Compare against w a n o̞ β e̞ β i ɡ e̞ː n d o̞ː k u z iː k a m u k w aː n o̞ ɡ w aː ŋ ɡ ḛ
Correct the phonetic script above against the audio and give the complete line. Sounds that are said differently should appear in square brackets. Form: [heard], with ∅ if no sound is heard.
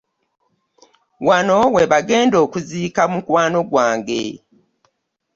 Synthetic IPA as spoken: w a n o̞ [w] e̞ β [a] ɡ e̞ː n d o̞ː k u z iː k a m u k w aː n o̞ ɡ w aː ŋ ɡ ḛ